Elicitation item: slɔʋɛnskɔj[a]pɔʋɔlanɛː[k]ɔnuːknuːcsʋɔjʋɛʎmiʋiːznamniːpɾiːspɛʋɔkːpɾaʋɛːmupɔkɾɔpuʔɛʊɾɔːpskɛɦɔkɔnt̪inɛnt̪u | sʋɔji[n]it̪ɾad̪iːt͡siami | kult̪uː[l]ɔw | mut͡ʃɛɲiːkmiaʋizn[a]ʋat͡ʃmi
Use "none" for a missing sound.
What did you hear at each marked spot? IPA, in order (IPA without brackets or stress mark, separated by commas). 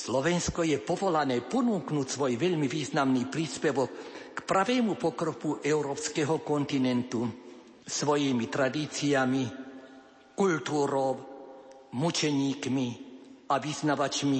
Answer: ɛ, p, m, ɾ, a